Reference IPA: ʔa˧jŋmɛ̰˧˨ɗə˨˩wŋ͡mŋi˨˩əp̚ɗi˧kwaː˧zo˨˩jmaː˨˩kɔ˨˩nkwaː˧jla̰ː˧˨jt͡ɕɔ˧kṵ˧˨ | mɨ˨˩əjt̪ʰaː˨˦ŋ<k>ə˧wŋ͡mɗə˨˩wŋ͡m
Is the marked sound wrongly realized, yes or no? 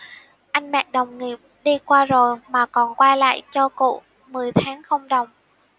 yes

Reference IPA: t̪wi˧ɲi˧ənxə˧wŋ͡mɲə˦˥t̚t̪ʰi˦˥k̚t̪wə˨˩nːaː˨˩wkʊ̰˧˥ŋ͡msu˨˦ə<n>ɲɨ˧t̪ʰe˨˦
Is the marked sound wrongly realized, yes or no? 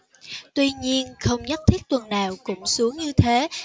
yes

